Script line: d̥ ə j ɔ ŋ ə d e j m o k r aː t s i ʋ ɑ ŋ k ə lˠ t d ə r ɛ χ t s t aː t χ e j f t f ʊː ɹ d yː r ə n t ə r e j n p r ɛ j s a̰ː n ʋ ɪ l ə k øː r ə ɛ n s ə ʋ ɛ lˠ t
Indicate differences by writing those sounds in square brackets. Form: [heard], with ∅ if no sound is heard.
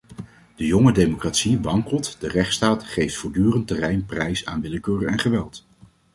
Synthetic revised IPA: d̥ ə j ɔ ŋ ə d e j m o k r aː t s i ʋ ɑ ŋ k ə lˠ t d ə r ɛ χ t s t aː t χ e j f t f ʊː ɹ d yː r ə n t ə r [ɛ] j n p r ɛ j s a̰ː n ʋ ɪ l ə k øː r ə ɛ n [χ] ə ʋ ɛ lˠ t

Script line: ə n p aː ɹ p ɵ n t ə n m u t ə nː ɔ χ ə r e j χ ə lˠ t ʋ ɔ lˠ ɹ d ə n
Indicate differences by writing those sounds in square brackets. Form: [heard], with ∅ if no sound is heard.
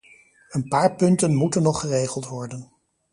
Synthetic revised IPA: ə n p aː ɹ p ɵ n t ə n m u t ə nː ɔ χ ə r e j χ ə lˠ t ʋ ɔ [∅] ɹ d ə n

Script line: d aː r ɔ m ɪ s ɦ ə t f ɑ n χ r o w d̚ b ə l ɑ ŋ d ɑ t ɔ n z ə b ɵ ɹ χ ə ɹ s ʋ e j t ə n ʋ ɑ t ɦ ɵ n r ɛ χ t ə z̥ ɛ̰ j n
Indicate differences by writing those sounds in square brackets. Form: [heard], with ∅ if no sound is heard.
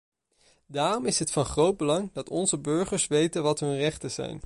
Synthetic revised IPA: d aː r ɔ m ɪ s ɦ ə t f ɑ n χ r o w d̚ b ə l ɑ ŋ d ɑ t ɔ n z ə b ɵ ɹ χ ə ɹ s ʋ e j t ə n ʋ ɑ t ɦ ɵ n r ɛ χ t ə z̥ ɛ̰ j n

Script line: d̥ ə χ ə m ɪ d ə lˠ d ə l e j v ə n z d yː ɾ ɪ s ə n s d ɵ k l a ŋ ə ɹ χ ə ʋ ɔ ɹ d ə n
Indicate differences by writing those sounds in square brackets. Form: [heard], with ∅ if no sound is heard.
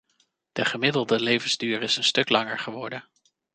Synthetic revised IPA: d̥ ə χ ə m ɪ d ə lˠ d ə l e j v ə n z d yː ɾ ɪ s ə n s [t] ɵ k l [ɑ] ŋ ə ɹ χ ə ʋ ɔ ɹ d ə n

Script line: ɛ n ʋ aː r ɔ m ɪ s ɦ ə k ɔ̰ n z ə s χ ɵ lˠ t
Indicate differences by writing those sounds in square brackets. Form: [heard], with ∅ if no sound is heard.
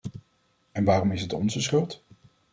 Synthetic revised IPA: ɛ n ʋ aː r ɔ m ɪ s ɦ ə [t] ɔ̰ n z ə s χ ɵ lˠ t

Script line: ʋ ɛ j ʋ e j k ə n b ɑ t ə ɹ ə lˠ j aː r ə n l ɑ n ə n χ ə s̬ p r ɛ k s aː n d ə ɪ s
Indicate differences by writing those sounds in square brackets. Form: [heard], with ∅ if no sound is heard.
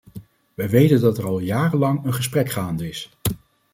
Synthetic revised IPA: ʋ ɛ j ʋ e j [t] ə n [d] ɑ t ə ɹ [ɑ] lˠ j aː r ə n l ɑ [ŋ] ə n χ ə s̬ p r ɛ k [χ] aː n d ə ɪ s

